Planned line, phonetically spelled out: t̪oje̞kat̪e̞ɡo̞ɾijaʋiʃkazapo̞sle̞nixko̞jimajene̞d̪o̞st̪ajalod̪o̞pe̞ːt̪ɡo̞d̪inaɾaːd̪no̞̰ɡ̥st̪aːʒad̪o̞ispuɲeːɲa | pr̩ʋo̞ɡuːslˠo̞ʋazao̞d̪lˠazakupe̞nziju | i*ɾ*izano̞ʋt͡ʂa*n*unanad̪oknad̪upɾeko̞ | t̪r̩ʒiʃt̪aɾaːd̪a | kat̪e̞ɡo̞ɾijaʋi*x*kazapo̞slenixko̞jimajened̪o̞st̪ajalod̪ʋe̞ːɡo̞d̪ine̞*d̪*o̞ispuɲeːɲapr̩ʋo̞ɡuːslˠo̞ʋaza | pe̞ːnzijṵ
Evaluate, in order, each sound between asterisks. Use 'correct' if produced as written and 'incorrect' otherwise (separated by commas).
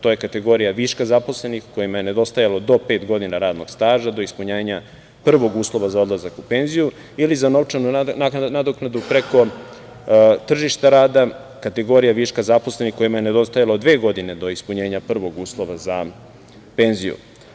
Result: incorrect, correct, incorrect, correct